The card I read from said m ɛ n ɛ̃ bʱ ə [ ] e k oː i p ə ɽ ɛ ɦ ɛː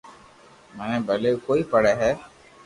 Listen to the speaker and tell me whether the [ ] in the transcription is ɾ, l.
l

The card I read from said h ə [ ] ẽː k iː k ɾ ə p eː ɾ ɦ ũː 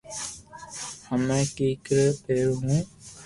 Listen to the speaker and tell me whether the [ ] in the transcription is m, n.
m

